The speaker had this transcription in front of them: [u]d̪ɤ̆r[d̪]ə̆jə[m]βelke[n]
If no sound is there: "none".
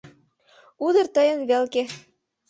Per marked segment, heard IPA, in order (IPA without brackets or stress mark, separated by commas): u, t̪, n, none